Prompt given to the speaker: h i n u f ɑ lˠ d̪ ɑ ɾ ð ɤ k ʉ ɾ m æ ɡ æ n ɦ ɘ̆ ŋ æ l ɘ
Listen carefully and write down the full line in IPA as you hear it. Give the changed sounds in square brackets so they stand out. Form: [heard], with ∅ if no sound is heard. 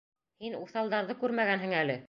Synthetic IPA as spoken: h i n u [θ] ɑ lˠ d̪ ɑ ɾ ð ɤ k ʉ ɾ m æ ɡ æ n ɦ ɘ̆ ŋ æ l ɘ